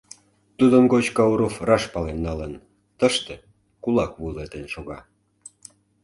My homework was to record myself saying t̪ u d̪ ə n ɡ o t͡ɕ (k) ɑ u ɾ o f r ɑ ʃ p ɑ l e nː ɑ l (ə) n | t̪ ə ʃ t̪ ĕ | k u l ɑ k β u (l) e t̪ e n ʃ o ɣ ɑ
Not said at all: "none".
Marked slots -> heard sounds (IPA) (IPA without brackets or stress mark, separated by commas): k, ə, l